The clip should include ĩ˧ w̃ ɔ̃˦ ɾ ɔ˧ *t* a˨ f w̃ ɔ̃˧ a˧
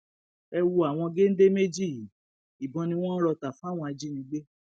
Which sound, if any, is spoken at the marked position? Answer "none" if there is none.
t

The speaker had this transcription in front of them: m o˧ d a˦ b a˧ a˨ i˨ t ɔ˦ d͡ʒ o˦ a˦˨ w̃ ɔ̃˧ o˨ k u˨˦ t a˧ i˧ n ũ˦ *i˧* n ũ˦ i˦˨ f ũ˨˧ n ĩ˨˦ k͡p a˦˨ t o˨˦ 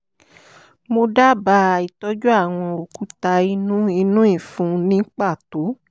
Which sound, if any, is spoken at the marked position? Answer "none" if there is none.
i˧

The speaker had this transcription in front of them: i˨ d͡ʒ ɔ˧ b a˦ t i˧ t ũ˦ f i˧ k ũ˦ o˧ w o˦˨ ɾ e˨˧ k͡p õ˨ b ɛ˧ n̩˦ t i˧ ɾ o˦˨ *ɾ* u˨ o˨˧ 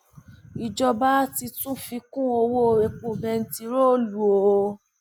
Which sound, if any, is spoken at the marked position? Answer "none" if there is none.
l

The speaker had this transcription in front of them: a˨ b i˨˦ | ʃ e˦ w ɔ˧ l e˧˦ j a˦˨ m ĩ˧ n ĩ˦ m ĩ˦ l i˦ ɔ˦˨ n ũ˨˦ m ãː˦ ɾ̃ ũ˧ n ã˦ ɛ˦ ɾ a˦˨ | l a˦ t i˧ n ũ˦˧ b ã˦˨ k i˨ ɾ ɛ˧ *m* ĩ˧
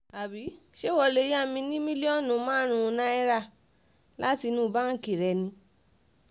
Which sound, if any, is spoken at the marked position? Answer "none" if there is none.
n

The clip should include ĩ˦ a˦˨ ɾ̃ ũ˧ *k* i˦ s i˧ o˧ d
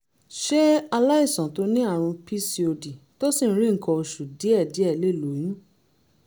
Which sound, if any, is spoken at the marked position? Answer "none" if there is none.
p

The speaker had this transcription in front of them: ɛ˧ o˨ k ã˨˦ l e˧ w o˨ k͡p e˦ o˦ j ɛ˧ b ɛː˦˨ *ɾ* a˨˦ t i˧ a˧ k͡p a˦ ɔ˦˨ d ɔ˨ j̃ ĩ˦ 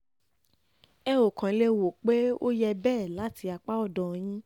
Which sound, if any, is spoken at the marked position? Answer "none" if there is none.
l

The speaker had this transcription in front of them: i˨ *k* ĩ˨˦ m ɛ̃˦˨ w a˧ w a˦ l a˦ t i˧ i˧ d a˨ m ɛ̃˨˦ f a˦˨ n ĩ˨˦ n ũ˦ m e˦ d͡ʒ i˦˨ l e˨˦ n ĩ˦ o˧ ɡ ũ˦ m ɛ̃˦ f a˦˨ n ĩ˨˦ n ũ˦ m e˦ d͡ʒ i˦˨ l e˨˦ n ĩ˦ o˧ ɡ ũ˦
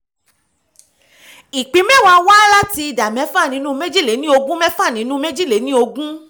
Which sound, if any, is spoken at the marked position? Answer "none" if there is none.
k͡p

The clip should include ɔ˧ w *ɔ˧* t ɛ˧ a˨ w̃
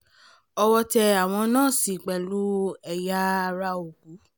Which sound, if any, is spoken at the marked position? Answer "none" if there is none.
ɔ˧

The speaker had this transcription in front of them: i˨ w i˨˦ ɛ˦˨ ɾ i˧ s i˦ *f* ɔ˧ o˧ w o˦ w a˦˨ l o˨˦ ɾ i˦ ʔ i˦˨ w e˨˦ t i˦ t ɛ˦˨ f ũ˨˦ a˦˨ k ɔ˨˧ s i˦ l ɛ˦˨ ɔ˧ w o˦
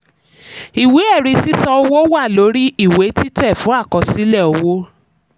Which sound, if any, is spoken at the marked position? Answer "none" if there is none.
s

